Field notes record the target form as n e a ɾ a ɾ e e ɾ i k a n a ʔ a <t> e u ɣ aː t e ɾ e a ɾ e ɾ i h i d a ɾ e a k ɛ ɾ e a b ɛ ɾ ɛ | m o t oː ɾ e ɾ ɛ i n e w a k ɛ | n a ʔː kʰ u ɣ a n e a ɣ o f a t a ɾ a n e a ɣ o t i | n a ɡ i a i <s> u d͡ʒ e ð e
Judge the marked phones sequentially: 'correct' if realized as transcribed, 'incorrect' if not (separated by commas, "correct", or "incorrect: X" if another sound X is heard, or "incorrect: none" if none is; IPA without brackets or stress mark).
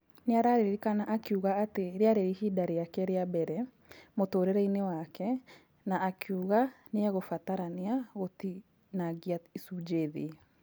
incorrect: k, correct